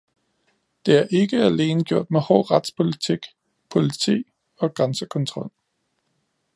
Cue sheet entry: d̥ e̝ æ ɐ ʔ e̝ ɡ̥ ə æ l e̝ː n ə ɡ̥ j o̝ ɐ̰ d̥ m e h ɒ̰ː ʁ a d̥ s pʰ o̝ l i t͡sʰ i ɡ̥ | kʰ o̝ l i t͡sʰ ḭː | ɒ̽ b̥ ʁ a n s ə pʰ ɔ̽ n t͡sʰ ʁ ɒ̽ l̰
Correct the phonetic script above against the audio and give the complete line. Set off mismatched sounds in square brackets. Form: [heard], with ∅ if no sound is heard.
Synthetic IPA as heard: d̥ e̝ æ ɐ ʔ e̝ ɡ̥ ə æ l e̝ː n ə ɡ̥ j o̝ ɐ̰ d̥ m e h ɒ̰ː ʁ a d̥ s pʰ o̝ l i t͡sʰ i ɡ̥ | [pʰ] o̝ l i t͡sʰ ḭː | ɒ̽ [ɡ̥] ʁ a n s ə [kʰ] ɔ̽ n t͡sʰ ʁ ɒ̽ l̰